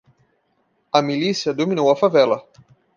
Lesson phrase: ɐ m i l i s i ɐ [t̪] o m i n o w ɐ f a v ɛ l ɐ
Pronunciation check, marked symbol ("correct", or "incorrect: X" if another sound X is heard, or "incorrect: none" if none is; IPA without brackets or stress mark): incorrect: d̪